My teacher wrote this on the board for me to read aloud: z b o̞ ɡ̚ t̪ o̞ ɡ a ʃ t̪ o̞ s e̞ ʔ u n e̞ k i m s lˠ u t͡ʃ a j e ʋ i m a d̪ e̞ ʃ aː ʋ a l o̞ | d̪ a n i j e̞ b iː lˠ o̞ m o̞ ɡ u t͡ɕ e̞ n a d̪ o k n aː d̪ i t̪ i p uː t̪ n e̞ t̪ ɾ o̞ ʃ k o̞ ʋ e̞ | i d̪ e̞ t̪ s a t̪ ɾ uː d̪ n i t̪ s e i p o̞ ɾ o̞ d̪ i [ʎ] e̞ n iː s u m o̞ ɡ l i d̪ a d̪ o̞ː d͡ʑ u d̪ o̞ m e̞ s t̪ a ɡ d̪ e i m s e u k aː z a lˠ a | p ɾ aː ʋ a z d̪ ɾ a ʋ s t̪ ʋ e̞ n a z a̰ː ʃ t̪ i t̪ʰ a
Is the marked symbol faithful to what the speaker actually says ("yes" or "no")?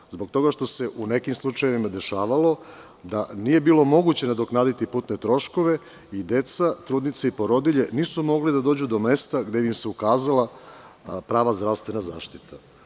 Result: yes